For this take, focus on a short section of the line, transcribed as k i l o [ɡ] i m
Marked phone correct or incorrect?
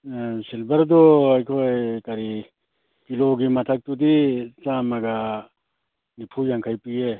correct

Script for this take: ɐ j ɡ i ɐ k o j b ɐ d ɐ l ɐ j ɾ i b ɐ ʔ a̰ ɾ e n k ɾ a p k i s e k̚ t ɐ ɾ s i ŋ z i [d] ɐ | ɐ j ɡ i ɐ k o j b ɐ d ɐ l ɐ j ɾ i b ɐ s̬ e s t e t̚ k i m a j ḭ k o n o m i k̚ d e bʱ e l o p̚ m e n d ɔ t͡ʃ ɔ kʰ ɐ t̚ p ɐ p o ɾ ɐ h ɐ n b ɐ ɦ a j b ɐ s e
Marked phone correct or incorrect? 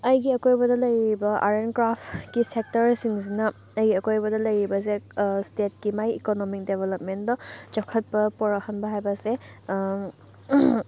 incorrect: n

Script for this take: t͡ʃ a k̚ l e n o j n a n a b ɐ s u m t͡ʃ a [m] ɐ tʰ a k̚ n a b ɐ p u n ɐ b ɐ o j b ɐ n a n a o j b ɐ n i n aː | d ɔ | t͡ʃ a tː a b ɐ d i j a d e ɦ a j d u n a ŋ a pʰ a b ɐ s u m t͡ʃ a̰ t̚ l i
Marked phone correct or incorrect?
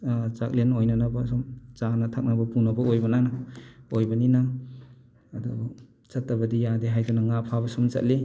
incorrect: n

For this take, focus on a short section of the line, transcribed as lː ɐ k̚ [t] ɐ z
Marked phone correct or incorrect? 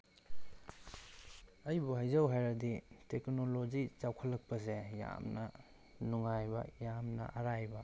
incorrect: p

